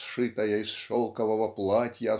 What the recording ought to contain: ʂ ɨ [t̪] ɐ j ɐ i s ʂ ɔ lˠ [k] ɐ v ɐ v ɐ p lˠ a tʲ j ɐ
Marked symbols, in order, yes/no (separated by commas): yes, yes